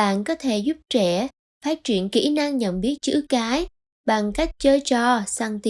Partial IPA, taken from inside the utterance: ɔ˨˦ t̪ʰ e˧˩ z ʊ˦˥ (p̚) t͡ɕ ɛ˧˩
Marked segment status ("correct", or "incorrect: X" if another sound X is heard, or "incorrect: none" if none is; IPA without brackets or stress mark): correct